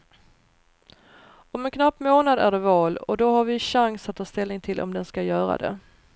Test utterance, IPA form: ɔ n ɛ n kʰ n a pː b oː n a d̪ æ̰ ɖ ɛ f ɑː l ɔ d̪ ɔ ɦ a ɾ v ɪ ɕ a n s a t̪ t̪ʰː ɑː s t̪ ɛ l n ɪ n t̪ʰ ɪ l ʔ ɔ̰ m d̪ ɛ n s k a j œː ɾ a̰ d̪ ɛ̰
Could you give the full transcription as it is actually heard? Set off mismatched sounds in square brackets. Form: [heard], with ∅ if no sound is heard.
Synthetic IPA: ɔ [m] ɛ n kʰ n a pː [m] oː n a d̪ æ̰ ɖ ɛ [v] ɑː l ɔ d̪ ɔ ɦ a ɾ v ɪ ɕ a [ŋ] s a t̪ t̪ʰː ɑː s t̪ ɛ l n ɪ [ŋ] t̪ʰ ɪ l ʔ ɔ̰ m d̪ ɛ n s k a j œː ɾ a̰ d̪ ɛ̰